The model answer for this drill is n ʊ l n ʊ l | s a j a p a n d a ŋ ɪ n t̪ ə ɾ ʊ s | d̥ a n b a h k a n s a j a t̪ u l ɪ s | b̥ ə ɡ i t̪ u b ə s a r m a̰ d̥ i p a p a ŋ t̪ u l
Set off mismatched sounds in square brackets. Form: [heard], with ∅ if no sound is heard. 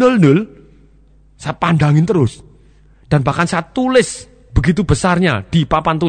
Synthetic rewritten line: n ʊ l n ʊ l | s a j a p a n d a ŋ ɪ n t̪ ə ɾ ʊ s | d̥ a n b a h k a n s a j a t̪ u l ɪ s | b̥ ə ɡ i t̪ u b ə s a r [ɲ] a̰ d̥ i p a p a [n] t̪ u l